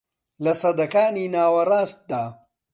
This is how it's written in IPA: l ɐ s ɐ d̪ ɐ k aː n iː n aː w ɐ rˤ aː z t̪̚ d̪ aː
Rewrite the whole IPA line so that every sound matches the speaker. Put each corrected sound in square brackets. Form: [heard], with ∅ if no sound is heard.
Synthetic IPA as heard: l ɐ s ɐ d̪ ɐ k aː n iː n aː w ɐ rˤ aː [s] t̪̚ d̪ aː